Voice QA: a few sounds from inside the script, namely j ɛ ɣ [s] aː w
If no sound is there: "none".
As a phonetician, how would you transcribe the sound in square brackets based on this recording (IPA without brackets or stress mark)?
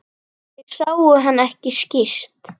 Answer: s